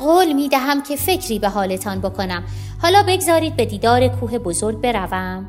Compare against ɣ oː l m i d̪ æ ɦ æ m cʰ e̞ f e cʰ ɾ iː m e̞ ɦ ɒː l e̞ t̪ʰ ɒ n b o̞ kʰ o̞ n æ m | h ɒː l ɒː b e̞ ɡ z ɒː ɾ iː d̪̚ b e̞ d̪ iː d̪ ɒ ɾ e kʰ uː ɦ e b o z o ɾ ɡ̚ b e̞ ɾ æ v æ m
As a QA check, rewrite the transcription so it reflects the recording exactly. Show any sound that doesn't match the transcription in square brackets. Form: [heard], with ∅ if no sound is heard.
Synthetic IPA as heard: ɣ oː l m [iː] d̪ æ ɦ æ m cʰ e̞ f e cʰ ɾ iː [b] e̞ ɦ ɒː l e̞ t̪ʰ ɒ n b o̞ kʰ o̞ n æ m | h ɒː l ɒː b e̞ ɡ z ɒː ɾ iː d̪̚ b e̞ d̪ iː d̪ [ɒː] ɾ e kʰ uː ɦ e b o z o ɾ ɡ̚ b e̞ ɾ æ v æ m